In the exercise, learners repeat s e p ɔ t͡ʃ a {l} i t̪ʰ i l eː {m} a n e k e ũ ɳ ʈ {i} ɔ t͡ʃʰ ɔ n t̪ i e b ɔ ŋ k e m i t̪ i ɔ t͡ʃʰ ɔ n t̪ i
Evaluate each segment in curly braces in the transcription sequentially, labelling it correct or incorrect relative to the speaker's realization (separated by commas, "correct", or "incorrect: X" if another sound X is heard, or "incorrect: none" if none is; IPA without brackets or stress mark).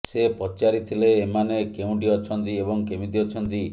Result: incorrect: ɾ, correct, correct